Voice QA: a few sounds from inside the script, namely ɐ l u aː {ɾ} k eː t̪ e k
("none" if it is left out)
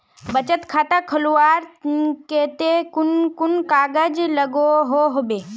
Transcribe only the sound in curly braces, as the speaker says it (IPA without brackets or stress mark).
ɾ